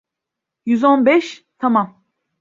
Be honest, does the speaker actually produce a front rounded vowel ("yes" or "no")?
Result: yes